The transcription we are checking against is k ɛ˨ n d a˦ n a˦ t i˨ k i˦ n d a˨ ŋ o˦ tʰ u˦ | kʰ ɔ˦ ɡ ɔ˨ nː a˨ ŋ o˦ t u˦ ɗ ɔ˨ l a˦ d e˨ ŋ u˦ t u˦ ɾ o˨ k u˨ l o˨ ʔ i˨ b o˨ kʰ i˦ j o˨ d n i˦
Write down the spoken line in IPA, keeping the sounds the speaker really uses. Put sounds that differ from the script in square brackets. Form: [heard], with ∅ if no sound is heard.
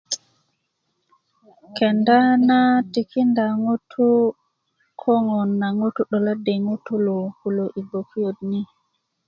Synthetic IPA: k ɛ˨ n d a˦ n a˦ t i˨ k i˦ n d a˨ ŋ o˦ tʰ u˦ | kʰ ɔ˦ [ŋ] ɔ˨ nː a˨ ŋ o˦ t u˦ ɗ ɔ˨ l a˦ d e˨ ŋ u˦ t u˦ [l] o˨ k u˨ l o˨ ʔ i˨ b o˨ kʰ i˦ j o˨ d n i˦